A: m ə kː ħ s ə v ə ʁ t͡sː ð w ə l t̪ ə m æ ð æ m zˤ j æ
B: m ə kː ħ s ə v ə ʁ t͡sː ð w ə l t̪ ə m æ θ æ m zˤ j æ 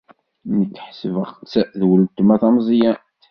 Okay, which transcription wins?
B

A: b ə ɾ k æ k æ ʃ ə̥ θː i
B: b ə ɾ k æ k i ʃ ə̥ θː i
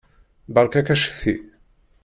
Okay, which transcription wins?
A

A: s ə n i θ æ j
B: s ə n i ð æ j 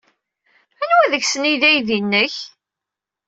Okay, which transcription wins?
B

